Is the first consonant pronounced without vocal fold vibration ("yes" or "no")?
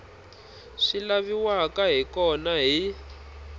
yes